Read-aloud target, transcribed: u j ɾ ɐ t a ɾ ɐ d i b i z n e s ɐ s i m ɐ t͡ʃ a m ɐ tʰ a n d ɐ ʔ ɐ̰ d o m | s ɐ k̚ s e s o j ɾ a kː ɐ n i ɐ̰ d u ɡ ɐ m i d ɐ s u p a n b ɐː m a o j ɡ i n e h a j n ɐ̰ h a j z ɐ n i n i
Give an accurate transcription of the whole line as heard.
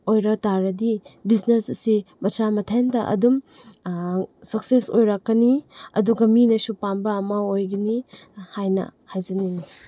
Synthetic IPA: o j ɾ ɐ t a ɾ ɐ d i b i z n e s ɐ s i m ɐ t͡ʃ a m ɐ tʰ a n d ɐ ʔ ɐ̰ d u m | s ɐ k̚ s e s o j ɾ a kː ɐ n i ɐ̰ d u ɡ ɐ m i n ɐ s u p a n b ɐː m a o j ɡ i n i h a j n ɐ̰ h a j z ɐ n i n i

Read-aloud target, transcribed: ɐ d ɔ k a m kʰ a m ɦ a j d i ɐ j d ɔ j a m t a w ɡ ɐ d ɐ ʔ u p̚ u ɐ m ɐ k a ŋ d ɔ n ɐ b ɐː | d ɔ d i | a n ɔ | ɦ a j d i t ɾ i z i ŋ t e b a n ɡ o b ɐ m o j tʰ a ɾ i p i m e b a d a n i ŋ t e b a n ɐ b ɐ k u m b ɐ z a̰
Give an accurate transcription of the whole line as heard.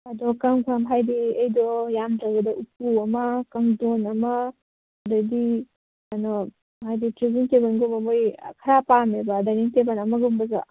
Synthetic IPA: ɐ d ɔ k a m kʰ a m ɦ a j d i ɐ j d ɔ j a m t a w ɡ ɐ d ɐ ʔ u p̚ u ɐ m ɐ k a ŋ d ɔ n ɐ m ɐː | d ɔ d i | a n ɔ | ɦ a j d i t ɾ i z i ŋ t e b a n ɡ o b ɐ m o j kʰ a ɾ a p a m e b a d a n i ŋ t e b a n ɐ m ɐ ɡ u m b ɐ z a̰

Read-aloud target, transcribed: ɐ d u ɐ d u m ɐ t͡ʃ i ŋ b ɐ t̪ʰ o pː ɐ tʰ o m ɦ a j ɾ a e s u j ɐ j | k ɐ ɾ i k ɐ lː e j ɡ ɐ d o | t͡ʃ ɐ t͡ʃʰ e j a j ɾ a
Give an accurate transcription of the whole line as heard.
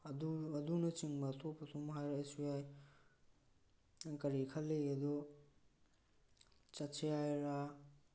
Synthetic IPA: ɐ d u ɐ d u n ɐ t͡ʃ i ŋ b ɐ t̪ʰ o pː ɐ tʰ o m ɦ a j ɾ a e s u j a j | k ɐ ɾ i kʰ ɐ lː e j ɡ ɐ d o | t͡ʃ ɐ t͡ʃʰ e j a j ɾ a

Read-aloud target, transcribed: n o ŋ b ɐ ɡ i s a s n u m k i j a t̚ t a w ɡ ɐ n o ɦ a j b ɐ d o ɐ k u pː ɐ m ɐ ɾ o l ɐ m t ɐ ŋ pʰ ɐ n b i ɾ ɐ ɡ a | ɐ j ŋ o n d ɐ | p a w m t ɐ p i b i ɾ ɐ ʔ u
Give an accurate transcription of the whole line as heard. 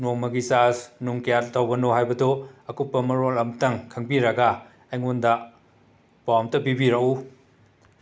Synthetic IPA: n o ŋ m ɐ ɡ i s a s n u ŋ k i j a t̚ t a w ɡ ɐ n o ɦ a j b ɐ d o ɐ k u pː ɐ m ɐ ɾ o l ɐ m t ɐ ŋ kʰ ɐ ŋ b i ɾ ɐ ɡ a | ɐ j ŋ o n d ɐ | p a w m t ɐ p i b i ɾ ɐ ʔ u

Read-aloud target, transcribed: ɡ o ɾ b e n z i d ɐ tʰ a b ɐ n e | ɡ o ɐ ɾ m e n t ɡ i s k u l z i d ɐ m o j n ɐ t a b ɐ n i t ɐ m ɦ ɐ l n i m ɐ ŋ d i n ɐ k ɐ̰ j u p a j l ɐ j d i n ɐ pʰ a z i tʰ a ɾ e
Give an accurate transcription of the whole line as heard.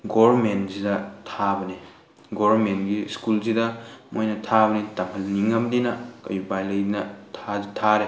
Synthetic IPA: ɡ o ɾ m e n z i d ɐ tʰ a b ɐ n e | ɡ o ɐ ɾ m e n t ɡ i s k u l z i d ɐ m o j n ɐ tʰ a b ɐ n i t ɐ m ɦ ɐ l n i ŋ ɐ m d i n ɐ k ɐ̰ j u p a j l ɐ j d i n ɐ tʰ a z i tʰ a ɾ e

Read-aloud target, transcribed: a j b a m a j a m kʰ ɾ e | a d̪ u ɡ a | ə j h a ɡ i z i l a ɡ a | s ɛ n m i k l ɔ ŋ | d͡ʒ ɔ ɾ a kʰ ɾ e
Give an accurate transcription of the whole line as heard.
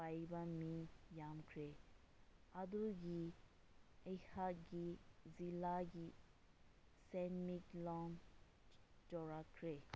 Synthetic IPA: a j b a m i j a m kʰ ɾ e | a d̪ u ɡ i | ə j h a ɡ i z i l a ɡ i | s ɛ n m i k l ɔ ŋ | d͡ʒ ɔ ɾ a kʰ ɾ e

